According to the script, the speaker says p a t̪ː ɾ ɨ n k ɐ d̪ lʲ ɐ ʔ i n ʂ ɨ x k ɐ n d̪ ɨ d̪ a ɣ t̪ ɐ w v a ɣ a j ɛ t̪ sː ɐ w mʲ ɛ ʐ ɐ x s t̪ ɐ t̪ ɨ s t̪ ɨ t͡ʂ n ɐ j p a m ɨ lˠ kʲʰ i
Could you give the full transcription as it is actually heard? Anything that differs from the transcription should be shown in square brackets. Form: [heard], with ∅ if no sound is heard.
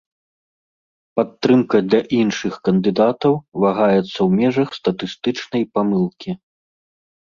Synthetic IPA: p a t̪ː ɾ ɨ [m] k ɐ d̪ lʲ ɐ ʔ i n ʂ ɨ x k ɐ n d̪ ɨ d̪ a [∅] t̪ ɐ w v a ɣ a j ɛ t̪ sː ɐ w mʲ ɛ ʐ ɐ x s t̪ ɐ t̪ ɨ s t̪ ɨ t͡ʂ n ɐ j p a m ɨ lˠ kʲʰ i